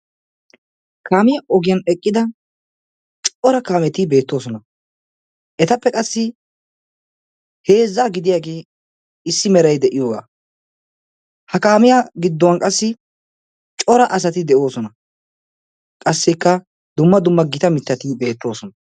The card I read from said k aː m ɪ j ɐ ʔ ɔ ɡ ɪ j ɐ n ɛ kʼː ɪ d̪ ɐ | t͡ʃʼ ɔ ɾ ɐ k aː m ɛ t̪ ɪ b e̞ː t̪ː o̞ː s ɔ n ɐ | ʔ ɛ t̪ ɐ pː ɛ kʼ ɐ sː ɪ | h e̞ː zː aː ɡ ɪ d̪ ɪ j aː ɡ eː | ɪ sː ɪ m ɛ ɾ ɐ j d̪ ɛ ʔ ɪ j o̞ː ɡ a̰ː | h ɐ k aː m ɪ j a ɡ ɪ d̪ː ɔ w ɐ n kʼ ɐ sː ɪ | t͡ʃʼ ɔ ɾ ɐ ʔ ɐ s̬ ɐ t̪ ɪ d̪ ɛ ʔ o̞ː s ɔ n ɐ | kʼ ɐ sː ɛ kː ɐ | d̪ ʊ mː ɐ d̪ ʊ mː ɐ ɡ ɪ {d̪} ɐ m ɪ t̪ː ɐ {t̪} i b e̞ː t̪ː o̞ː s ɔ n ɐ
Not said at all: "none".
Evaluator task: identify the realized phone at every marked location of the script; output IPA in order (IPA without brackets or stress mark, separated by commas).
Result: t̪, t̪